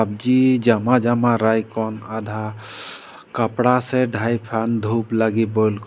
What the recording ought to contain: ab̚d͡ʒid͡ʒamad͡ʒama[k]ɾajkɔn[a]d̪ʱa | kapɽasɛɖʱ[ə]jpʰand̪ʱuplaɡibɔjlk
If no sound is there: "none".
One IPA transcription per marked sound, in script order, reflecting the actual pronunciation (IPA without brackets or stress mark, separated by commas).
none, a, a